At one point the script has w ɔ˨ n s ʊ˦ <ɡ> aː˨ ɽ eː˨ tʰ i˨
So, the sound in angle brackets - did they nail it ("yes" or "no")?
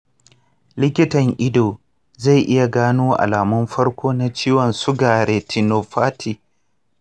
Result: yes